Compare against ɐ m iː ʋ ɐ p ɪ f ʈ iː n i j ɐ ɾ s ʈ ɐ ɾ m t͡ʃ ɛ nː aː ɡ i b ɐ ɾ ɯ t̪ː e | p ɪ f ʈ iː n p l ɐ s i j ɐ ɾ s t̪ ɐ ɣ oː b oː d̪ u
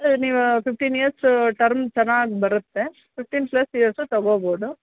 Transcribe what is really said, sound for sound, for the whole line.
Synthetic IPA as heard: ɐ n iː ʋ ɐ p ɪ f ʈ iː n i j ɐ ɾ s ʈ ɐ ɾ m t͡ʃ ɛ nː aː ɡ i b ɐ ɾ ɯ t̪ː e | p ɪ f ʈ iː n p l ɐ s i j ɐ ɾ s t̪ ɐ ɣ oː b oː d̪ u

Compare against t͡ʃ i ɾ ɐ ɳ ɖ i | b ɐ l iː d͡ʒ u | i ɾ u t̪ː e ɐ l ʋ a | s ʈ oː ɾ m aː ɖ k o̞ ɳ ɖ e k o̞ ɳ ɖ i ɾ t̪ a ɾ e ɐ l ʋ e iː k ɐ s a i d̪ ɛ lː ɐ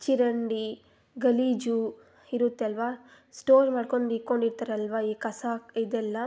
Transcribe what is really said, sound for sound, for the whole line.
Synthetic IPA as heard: t͡ʃ i ɾ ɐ ɳ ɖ i | ɡ ɐ l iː d͡ʒ u | i ɾ u t̪ː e ɐ l ʋ a | s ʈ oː ɾ m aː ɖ k o̞ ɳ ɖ i k o̞ ɳ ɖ i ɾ t̪ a ɾ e ɐ l ʋ a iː k ɐ s a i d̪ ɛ lː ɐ

